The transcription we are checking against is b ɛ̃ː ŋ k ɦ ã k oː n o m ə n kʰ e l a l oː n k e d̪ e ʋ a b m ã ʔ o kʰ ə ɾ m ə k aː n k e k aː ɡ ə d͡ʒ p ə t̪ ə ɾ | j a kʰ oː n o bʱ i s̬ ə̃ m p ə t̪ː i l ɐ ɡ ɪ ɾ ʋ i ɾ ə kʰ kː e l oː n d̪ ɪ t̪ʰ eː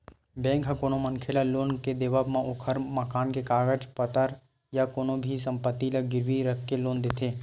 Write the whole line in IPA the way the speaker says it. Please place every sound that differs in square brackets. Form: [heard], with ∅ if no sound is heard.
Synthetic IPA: b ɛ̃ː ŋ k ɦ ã k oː n o m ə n kʰ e l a l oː n k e d̪ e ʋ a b m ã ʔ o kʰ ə ɾ m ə k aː n k e k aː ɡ ə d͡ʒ p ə t̪ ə ɾ | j a [k] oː n o bʱ i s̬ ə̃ m p ə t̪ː i l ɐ ɡ ɪ ɾ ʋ i ɾ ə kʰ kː e l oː n d̪ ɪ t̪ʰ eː